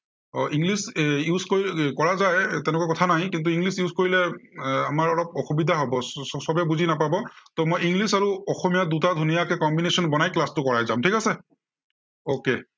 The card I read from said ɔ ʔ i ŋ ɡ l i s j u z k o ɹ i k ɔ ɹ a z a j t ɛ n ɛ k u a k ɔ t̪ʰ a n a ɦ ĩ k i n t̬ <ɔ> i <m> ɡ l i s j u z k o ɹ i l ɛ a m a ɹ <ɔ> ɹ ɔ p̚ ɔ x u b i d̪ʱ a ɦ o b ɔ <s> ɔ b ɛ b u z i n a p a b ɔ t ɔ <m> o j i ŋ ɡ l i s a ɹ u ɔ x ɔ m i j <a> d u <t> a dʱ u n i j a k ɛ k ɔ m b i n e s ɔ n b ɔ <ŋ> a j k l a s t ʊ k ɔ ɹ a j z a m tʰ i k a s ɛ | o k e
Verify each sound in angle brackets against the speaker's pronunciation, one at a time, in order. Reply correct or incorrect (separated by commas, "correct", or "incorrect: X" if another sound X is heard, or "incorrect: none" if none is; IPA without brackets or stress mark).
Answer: incorrect: u, incorrect: ŋ, correct, correct, correct, correct, correct, incorrect: n